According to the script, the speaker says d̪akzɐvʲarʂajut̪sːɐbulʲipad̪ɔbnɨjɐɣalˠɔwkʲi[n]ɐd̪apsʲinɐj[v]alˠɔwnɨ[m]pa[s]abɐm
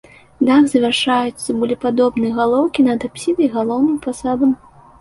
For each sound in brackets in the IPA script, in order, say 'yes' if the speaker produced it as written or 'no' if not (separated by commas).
yes, no, yes, yes